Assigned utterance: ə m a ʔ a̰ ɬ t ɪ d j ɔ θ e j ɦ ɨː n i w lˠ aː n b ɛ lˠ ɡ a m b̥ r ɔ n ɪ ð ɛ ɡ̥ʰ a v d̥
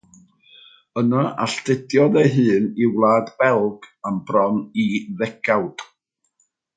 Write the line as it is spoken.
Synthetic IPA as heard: ə n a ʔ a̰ ɬ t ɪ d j ɔ ð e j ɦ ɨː n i w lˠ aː d b ɛ lˠ ɡ a m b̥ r ɔ n i ð ɛ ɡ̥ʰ a w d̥